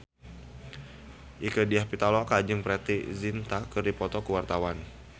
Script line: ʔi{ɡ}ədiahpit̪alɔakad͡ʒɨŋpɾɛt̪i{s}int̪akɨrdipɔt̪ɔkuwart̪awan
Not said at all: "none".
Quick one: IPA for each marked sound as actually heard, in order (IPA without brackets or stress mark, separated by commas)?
k, z